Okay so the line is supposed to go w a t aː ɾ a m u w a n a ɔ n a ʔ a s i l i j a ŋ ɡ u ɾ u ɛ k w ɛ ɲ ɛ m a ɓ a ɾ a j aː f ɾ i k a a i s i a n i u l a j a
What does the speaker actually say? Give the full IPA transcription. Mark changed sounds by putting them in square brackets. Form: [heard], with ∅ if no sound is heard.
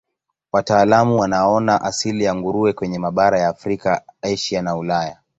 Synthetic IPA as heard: w a t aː [l] a m u w a n a ɔ n a ʔ a s i l i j a ŋ ɡ u ɾ u ɛ k w ɛ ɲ ɛ m a ɓ a ɾ a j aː f ɾ i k a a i [ʃ] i a n [a] u l a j a